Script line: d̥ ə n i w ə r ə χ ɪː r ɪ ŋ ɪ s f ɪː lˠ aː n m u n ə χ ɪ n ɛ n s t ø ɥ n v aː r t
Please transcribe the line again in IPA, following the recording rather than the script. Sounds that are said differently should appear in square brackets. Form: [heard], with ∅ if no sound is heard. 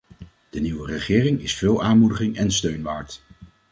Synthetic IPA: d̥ ə n i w ə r ə χ ɪː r ɪ ŋ ɪ s f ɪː lˠ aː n m u [d] ə χ ɪ [ŋ] ɛ n s t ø ɥ n [ʋ] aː [ɹ] t

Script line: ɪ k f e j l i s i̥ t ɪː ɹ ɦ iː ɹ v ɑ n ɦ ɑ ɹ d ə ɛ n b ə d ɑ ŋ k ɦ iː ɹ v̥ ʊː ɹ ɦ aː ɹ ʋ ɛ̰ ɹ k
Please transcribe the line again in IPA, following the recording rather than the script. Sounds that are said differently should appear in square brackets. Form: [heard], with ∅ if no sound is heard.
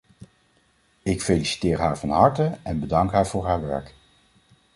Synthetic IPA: ɪ k f e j l i s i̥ t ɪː ɹ ɦ [aː] ɹ v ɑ n ɦ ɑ ɹ [t] ə ɛ n b ə d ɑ ŋ k ɦ [aː] ɹ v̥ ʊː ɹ ɦ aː ɹ ʋ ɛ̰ ɹ k

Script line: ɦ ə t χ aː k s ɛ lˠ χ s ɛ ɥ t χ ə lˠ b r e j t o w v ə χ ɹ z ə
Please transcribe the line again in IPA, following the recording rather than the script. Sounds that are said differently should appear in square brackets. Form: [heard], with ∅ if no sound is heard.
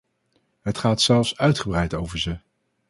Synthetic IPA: ɦ ə t χ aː [t] s ɛ lˠ [f] s [œ] ɥ t χ ə [∅] b r [ɛ] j t o w v ə [∅] ɹ z ə

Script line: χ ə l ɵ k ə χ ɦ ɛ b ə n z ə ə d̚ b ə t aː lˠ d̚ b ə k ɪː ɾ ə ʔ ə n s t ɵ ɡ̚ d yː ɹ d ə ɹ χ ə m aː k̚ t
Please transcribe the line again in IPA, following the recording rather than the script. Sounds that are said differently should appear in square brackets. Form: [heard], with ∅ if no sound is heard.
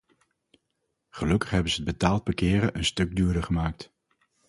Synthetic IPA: χ ə l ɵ k ə χ ɦ ɛ b ə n z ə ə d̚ b ə t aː lˠ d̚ b ə k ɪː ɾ ə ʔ ə n s t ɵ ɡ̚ d yː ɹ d ə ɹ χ ə m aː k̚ t

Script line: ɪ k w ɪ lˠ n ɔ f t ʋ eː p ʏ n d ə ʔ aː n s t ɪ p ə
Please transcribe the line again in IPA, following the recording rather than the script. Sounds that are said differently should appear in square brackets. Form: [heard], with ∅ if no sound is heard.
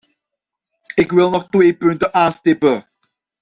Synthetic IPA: ɪ k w ɪ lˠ n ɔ [χ] t [w] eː p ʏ n [t] ə ʔ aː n s t ɪ p ə

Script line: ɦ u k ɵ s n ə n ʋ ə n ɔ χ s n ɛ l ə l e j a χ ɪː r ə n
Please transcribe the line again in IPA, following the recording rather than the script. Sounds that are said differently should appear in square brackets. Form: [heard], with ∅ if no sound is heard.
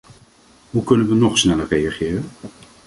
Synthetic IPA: ɦ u k ɵ [∅] n ə n ʋ ə n ɔ χ s n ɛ l ə [r] e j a χ ɪː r ə n

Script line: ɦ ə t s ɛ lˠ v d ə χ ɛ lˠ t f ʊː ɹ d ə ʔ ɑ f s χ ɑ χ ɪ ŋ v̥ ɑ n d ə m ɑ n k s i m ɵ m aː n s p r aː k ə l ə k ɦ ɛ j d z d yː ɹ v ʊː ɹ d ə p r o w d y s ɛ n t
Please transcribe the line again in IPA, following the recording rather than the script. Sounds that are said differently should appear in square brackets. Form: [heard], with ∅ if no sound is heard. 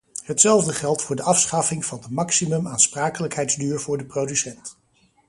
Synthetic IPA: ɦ ə t s ɛ lˠ v d ə χ ɛ lˠ t f ʊː ɹ d ə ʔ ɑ f s χ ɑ [f] ɪ ŋ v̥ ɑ n d ə m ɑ [∅] k s i m ɵ m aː n s p r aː k ə l ə k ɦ ɛ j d z d yː ɹ v ʊː ɹ d ə p r o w d y s ɛ n t

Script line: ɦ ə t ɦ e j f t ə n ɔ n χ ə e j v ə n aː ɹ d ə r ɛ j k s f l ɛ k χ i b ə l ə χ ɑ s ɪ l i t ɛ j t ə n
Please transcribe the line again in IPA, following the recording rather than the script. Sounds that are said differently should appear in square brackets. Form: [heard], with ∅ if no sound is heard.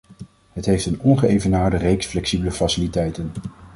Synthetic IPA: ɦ ə t ɦ e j f t ə n ɔ n χ ə e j v ə n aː ɹ d ə r [e] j k s f l ɛ k [s] i b ə l ə [f] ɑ s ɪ l i t ɛ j t ə n

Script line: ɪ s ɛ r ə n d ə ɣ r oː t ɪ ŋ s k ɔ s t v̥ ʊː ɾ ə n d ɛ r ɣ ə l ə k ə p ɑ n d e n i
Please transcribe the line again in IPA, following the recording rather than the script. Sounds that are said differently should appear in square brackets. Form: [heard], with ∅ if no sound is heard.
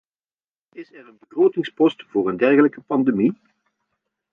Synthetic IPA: ɪ s ɛ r ə n [b] ə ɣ r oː t ɪ ŋ s [p] ɔ s t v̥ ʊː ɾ ə n d ɛ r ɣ ə l ə k ə p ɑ n d e [m] i

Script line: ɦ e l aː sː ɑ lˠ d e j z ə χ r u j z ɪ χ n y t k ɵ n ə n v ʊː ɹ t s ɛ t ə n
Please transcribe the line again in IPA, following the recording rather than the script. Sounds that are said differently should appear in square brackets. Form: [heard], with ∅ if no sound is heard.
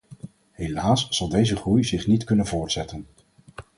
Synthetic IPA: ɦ e l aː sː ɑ lˠ d e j z ə χ r u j z ɪ χ n [i] t k ɵ n ə n v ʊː ɹ t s ɛ t ə n

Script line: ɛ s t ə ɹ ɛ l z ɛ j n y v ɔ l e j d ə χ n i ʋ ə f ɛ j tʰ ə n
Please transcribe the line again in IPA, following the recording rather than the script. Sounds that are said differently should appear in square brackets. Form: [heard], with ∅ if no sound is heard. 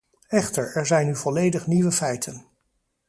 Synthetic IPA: ɛ [χ] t ə ɹ ɛ [ɹ] z ɛ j n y v ɔ l e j d ə χ n i ʋ ə f ɛ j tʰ ə n

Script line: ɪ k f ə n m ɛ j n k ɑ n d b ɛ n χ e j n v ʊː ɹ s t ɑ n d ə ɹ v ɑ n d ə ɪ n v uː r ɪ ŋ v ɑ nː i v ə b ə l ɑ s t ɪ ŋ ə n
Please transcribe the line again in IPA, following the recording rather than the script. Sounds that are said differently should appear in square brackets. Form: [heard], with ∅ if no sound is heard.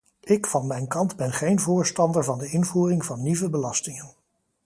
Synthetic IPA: ɪ k f [ɑ] n m ɛ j n k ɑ n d b ɛ n χ e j n v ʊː ɹ s t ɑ n d ə ɹ v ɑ n d ə ɪ n v uː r ɪ ŋ v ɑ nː i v ə b ə l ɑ s t ɪ ŋ ə n

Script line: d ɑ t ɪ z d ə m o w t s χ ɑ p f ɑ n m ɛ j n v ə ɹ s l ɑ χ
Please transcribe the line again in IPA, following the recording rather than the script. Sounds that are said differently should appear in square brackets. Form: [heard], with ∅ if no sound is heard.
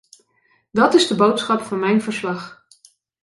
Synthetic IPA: d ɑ t ɪ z d ə [b] o w t s χ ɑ p f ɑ n m ɛ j n v ə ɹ s l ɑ χ

